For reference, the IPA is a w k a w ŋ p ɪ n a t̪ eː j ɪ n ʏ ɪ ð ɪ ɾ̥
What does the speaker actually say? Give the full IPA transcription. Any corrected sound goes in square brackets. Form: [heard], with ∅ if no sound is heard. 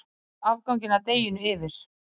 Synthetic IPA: a [v] k a w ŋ [c] ɪ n a t̪ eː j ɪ n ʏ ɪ [v] ɪ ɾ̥